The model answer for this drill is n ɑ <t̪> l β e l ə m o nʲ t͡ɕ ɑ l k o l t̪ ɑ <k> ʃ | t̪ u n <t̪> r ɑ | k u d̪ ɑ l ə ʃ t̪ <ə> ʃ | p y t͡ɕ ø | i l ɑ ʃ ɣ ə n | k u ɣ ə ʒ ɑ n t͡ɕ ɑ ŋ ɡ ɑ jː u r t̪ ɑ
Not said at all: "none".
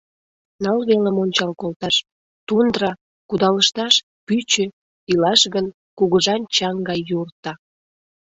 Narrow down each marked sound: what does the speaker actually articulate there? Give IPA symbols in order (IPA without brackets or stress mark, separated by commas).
none, none, d̪, ɑ